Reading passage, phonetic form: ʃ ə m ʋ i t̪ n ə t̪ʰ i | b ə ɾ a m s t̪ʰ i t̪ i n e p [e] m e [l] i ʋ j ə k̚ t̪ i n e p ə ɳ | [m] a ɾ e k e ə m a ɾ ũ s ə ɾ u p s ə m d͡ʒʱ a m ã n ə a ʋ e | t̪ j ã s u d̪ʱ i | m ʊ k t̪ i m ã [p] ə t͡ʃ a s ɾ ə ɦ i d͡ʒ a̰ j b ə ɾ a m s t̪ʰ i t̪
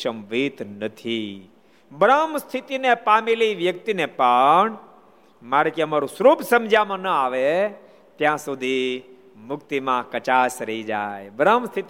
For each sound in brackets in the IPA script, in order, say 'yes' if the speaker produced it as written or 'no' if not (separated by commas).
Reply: no, yes, yes, no